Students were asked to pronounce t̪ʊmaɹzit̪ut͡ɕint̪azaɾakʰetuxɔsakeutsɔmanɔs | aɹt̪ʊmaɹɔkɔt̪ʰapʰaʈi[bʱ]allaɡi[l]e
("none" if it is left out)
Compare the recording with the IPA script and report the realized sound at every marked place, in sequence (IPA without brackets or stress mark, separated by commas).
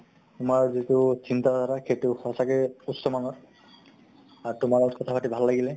bʱ, l